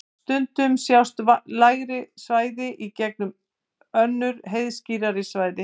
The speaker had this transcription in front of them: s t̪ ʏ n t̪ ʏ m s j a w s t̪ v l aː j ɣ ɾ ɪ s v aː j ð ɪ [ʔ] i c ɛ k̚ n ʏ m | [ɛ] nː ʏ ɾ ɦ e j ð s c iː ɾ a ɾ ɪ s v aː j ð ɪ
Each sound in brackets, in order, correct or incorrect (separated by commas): correct, incorrect